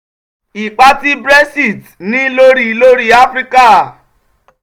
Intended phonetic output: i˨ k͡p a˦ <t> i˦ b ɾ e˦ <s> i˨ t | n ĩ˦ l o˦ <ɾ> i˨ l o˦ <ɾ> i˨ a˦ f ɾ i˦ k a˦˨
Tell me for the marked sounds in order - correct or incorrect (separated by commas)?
correct, correct, correct, correct